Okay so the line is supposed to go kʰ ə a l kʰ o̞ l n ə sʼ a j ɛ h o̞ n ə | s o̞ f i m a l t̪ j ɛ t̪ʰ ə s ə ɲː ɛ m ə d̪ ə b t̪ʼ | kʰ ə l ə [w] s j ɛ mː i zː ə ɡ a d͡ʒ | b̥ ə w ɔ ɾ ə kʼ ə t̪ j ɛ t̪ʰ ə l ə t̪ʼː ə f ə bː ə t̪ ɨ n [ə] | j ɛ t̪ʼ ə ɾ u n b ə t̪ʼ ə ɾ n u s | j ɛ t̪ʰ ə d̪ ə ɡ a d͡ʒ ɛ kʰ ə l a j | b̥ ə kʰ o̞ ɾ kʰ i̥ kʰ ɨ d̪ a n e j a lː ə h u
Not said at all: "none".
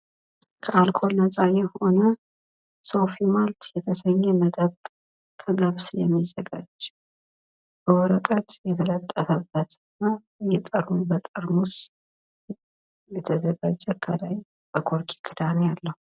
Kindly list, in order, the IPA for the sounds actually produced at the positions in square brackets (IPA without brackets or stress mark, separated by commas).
β, a